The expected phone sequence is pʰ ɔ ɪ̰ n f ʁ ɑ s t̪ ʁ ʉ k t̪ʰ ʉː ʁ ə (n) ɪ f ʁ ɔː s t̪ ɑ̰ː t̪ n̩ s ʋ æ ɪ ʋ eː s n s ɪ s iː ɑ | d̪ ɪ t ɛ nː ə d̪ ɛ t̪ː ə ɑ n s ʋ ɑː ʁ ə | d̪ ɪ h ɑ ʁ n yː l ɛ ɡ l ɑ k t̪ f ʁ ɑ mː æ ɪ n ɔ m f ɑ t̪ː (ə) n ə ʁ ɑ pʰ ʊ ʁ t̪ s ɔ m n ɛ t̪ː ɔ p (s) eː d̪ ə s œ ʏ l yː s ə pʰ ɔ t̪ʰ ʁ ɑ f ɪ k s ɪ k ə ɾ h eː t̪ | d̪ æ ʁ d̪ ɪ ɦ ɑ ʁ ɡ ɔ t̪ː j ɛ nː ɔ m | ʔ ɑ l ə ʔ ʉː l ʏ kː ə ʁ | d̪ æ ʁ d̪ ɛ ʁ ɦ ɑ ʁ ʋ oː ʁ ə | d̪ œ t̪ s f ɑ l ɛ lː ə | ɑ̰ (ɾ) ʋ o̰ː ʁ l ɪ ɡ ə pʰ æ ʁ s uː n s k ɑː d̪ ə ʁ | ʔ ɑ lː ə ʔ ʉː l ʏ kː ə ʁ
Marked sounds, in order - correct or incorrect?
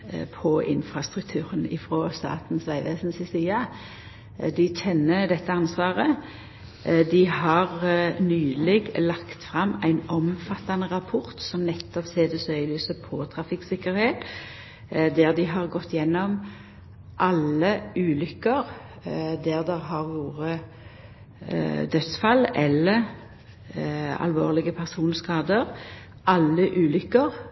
correct, incorrect, correct, incorrect

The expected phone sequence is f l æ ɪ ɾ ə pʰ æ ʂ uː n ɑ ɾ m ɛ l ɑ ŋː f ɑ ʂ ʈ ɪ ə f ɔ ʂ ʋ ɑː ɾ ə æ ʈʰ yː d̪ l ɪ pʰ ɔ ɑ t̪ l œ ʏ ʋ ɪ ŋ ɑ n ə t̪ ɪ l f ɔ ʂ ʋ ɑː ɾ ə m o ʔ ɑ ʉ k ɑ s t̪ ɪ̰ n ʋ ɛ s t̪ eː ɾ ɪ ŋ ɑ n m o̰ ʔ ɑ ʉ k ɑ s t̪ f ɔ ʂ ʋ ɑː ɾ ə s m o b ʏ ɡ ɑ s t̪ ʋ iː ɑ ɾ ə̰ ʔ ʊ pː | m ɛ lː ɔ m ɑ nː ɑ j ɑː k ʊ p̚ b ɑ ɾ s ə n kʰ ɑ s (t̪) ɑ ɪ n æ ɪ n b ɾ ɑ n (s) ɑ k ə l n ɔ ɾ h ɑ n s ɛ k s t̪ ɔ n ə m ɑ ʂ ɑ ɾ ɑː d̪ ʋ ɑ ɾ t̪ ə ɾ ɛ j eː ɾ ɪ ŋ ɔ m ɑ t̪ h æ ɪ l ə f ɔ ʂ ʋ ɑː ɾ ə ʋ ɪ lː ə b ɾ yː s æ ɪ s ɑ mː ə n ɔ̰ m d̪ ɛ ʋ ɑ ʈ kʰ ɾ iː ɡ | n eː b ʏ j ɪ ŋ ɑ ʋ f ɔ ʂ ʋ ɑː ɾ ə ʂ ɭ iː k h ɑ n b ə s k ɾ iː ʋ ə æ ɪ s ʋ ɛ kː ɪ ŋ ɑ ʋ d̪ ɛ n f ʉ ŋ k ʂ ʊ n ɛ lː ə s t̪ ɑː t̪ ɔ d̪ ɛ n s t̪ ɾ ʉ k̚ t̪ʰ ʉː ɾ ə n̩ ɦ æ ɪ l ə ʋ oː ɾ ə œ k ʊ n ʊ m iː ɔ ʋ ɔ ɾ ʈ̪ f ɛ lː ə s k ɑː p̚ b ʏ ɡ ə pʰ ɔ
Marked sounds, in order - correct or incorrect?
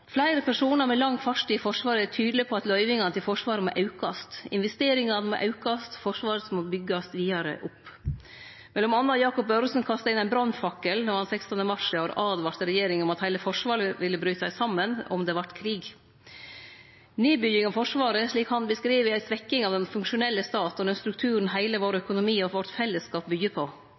correct, incorrect

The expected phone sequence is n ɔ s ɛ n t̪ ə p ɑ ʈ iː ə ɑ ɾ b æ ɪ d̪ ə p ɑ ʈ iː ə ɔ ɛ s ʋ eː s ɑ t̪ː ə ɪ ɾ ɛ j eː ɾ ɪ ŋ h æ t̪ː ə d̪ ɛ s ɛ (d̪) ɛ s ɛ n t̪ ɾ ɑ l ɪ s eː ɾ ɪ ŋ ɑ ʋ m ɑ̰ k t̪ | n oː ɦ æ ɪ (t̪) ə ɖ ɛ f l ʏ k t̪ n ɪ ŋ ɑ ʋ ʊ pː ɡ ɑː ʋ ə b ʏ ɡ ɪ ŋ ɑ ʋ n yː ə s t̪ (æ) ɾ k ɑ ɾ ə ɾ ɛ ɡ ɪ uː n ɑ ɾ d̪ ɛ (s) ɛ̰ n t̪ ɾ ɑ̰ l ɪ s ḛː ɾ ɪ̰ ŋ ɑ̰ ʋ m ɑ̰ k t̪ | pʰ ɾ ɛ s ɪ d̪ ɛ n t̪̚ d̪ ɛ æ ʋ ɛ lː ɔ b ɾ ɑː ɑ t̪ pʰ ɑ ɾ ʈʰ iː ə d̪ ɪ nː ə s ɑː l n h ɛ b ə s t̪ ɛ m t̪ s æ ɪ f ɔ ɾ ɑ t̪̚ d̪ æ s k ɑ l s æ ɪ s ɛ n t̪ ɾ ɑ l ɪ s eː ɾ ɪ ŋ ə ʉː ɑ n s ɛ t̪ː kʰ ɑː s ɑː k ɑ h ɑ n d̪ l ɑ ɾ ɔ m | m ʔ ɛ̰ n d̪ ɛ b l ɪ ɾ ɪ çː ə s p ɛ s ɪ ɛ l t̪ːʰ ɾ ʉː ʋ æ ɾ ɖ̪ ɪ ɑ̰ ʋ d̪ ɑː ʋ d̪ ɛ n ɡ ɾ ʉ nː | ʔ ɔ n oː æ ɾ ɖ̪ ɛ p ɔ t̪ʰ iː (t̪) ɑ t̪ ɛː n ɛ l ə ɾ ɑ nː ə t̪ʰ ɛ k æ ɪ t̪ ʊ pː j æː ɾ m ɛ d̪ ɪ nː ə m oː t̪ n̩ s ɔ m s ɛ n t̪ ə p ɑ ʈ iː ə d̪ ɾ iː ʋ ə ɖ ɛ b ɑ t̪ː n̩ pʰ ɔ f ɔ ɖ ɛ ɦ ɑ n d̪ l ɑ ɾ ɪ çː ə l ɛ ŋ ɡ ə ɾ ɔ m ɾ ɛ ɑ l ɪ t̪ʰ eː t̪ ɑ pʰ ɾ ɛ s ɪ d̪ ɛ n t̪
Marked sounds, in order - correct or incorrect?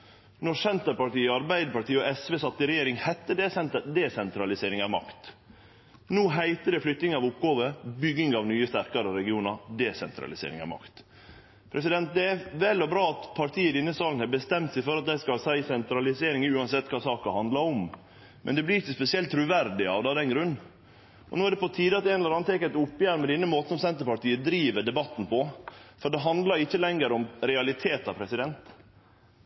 correct, correct, correct, correct, incorrect

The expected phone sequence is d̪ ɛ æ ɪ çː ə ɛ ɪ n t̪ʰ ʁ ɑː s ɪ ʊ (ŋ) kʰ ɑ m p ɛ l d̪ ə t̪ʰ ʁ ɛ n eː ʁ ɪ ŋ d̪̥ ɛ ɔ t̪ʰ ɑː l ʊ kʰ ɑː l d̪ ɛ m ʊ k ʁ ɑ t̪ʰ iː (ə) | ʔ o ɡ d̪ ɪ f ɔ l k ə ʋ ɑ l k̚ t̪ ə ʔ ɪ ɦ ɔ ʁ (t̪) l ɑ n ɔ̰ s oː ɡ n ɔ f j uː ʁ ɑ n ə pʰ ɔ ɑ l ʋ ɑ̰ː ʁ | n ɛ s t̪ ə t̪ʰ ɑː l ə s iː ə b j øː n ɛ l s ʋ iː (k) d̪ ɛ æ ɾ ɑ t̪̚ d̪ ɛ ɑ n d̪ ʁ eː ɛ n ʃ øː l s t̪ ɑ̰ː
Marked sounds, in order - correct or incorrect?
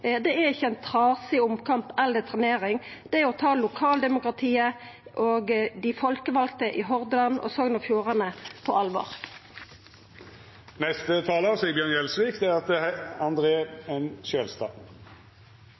incorrect, correct, incorrect, correct

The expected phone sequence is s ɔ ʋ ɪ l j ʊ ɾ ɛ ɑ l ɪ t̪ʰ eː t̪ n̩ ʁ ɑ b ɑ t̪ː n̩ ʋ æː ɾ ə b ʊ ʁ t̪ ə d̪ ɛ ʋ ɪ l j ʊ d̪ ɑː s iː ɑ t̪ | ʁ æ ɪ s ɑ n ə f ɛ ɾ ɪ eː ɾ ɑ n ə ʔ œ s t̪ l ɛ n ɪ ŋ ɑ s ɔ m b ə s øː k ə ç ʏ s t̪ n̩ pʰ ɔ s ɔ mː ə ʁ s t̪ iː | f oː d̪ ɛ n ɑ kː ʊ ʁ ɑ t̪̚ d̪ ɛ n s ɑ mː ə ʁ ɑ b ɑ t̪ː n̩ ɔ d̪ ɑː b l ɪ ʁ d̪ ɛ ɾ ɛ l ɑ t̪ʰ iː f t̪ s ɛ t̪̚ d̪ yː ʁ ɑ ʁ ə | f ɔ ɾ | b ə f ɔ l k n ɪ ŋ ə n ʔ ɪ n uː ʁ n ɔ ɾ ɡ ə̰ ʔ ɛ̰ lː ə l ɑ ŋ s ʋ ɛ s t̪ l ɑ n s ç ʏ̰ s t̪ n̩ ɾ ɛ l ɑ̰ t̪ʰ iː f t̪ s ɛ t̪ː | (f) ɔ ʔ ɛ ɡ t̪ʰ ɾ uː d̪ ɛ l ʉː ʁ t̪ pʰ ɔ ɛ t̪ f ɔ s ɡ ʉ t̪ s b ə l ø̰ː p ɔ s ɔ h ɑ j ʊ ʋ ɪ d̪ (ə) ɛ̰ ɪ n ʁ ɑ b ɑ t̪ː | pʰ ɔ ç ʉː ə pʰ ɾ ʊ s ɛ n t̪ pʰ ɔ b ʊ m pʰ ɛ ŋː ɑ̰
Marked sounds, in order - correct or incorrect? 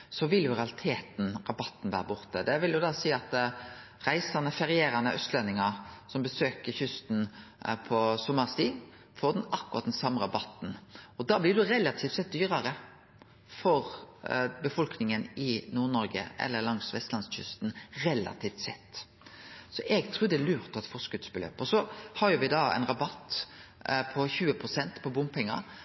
incorrect, incorrect

